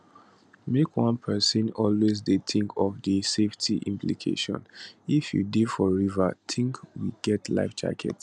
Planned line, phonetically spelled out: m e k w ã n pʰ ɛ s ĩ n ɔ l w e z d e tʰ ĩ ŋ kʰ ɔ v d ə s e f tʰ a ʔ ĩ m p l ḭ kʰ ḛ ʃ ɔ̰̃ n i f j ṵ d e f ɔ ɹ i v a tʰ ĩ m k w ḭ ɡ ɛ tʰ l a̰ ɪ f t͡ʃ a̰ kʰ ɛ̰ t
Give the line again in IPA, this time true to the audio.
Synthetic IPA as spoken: m e k w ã n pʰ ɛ s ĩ n ɔ l w e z d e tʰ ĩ ŋ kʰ ɔ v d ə s e f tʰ i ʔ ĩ m p l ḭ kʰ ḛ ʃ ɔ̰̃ n i f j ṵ d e f ɔ ɹ i v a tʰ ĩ ŋ k w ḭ ɡ ɛ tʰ l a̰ ɪ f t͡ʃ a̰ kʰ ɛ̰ t